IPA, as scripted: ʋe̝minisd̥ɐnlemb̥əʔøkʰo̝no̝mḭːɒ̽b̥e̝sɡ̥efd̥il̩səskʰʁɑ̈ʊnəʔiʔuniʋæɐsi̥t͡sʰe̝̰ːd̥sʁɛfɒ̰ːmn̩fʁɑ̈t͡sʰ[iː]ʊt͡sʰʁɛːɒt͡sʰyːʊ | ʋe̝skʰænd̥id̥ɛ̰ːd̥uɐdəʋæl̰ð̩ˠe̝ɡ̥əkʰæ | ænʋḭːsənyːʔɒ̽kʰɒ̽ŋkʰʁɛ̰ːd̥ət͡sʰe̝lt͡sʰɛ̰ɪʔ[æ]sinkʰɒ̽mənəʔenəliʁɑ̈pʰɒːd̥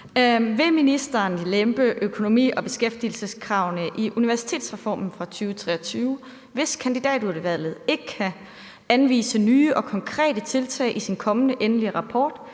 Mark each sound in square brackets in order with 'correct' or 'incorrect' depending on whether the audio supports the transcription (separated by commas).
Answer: incorrect, incorrect